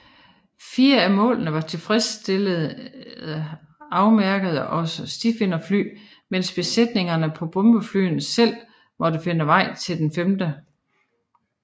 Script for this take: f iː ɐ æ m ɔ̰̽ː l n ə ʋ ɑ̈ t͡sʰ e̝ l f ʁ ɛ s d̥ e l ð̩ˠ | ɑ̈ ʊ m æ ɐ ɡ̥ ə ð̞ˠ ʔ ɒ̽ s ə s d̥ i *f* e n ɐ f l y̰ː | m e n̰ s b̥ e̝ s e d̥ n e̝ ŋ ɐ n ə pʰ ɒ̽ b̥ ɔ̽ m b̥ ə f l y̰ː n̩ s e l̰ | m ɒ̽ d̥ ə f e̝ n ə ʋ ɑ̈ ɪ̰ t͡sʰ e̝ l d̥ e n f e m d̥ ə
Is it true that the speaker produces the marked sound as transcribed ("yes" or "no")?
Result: yes